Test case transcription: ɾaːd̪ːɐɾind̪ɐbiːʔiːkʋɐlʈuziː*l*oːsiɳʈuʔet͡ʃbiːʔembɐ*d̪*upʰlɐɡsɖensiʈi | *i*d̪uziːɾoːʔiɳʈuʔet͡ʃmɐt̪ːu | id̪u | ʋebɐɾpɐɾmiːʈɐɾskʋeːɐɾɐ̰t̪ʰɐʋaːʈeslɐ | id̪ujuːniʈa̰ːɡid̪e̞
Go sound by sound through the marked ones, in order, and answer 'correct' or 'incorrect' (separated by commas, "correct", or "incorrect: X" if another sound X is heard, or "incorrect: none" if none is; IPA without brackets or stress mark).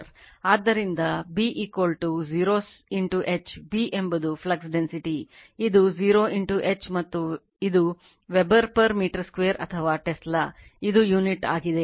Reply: incorrect: ɾ, correct, correct